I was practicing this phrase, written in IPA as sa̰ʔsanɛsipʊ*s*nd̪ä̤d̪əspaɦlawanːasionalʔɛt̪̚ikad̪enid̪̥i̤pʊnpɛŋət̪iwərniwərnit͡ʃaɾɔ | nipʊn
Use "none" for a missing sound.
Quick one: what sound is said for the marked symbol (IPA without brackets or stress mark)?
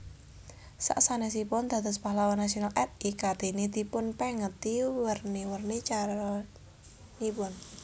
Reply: none